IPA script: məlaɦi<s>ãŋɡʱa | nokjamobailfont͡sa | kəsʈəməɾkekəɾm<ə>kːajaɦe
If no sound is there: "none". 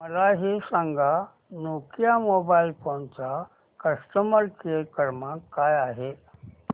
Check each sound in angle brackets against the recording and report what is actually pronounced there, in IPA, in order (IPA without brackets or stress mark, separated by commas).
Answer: s, a